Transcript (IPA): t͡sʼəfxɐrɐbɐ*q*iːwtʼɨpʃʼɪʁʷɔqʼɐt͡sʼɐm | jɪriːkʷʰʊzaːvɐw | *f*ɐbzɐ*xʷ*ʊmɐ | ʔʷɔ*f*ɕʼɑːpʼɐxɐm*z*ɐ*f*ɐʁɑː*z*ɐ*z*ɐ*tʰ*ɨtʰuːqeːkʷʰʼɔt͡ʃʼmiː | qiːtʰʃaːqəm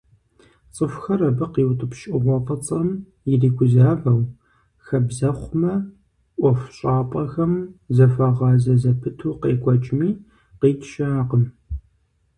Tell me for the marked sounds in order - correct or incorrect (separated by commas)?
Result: correct, incorrect, incorrect, correct, correct, correct, correct, correct, incorrect